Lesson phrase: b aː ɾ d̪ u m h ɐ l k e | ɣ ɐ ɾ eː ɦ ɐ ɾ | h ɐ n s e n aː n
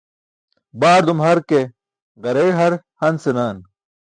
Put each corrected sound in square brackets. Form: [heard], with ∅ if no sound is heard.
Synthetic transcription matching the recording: b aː ɾ d̪ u m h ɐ [ɾ] k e | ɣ ɐ ɾ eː ɦ ɐ ɾ | h ɐ n s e n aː n